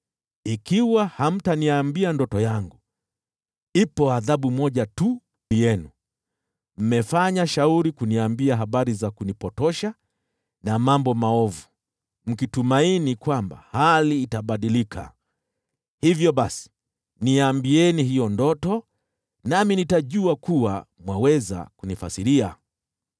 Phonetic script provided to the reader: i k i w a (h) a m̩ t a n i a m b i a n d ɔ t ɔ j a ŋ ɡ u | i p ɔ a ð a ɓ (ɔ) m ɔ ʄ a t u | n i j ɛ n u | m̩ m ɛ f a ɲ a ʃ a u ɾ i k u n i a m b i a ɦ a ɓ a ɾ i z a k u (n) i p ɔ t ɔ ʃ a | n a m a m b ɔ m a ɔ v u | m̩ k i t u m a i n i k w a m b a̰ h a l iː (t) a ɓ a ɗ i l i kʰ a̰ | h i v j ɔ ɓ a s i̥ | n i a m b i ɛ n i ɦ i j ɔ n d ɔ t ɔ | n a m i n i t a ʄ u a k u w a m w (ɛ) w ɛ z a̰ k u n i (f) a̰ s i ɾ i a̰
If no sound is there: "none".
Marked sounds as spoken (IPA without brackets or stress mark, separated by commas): h, u, n, t, a, f